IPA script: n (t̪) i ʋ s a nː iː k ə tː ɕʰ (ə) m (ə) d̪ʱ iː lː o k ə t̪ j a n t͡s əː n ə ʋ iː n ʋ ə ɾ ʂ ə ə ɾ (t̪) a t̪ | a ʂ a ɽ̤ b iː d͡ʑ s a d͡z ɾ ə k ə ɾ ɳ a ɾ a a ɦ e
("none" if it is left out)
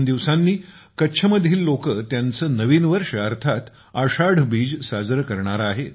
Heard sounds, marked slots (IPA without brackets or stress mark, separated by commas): d̪, ə, ə, t̪ʰ